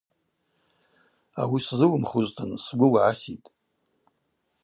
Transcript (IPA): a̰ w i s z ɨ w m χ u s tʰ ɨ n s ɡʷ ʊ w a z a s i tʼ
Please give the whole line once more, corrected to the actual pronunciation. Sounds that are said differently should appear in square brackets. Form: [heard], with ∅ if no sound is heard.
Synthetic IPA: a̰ w i s z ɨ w m χ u [z] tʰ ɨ n s ɡʷ ʊ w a [ʕ] a s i tʼ